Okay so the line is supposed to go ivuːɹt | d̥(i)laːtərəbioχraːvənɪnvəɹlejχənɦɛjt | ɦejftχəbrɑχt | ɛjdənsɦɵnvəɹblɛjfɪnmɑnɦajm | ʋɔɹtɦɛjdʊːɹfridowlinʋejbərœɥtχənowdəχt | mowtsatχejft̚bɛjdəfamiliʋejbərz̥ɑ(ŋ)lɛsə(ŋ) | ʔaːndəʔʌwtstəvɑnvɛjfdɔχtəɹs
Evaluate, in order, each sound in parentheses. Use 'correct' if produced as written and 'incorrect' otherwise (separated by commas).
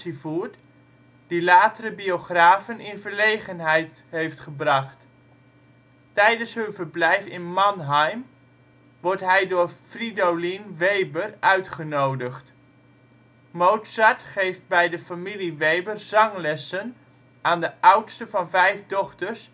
correct, correct, incorrect